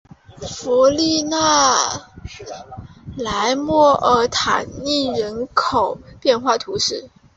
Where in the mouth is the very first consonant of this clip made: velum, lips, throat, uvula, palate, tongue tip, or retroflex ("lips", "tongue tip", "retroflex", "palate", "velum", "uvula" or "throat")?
lips